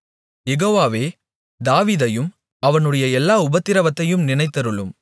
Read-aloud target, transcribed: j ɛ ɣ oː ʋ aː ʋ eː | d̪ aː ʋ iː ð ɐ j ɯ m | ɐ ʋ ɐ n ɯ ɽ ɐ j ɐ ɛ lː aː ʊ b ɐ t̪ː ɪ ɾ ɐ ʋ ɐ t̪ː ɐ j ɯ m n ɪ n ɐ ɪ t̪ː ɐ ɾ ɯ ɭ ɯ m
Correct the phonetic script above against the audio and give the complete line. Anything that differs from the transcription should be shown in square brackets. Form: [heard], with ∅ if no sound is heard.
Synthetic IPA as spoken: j ɛ ɣ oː ʋ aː ʋ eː | d̪ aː ʋ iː ð ɐ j ɯ m | ɐ ʋ ɐ n ɯ ɽ ɐ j ɐ ɛ lː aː ʊ b ɐ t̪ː ɪ ɾ ɐ ʋ ɐ t̪ː ɐ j ɯ m n ɪ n ɐ ɪ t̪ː ɐ ɾ ɯ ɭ ɯ m